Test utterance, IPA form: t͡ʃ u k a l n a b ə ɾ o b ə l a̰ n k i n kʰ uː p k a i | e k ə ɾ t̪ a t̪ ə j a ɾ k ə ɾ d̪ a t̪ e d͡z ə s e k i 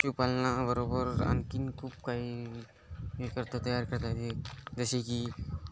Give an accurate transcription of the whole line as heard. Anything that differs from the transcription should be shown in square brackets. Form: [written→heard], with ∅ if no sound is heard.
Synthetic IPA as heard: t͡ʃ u [k→p] a l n a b ə ɾ o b ə [l→ɾ] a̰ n k i n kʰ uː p k a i | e k ə ɾ t̪ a t̪ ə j a ɾ k ə ɾ [d̪→t̪] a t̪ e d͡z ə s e k i

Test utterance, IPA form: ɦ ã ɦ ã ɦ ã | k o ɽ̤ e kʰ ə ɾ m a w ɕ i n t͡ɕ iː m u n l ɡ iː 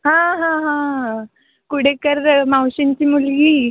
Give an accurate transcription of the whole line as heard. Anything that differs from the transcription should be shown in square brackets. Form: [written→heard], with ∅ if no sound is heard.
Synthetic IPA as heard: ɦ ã ɦ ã ɦ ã | k [o→u] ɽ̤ e [kʰ→k] ə ɾ m a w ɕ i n t͡ɕ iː m u [n→∅] l ɡ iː

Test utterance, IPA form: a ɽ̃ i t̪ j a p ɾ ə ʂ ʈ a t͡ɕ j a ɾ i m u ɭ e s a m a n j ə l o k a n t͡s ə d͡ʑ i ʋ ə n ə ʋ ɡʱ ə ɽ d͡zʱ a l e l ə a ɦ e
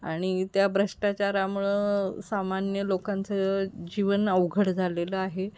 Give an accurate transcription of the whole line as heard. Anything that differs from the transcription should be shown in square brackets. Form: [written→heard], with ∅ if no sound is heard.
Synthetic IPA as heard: a ɽ̃ i t̪ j a [p→b] ɾ ə ʂ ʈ a t͡ɕ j a ɾ [i→a] m u ɭ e s a m a n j ə l o k a n t͡s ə d͡ʑ i ʋ ə n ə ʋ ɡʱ ə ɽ d͡zʱ a l e l ə a ɦ e

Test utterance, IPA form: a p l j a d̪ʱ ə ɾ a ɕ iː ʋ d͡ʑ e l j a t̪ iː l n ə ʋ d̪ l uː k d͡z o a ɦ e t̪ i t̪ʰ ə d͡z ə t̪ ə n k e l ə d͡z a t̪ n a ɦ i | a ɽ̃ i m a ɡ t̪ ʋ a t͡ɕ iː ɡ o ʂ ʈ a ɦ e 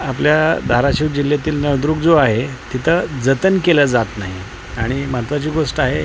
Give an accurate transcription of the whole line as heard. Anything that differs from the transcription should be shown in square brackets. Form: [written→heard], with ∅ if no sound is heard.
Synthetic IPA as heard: a p l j a d̪ʱ [ə→a] ɾ a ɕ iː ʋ d͡ʑ [e→i] l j a t̪ iː l n ə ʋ d̪ [l→ɾ] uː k d͡z o a ɦ e t̪ i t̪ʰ ə d͡z ə t̪ ə n k e l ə d͡z a t̪ n a ɦ i | a ɽ̃ i m a [ɡ→∅] t̪ ʋ a t͡ɕ iː ɡ o ʂ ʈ a ɦ e

